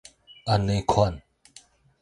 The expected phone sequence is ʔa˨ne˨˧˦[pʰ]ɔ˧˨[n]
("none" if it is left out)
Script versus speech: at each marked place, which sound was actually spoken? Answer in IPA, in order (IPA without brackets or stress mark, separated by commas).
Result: kʰ, n